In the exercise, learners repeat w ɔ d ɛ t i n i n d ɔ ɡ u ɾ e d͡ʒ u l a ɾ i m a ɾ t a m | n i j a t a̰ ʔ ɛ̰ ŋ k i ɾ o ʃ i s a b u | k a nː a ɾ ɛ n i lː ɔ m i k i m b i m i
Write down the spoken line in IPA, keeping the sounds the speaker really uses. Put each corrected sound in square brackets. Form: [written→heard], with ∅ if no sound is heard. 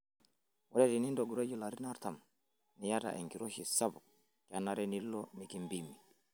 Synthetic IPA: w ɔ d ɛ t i n i n d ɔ ɡ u ɾ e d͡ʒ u l a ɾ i [m→n] a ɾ t a m | n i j a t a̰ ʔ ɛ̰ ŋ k i ɾ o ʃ i s a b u | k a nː a ɾ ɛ n i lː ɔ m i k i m b i m i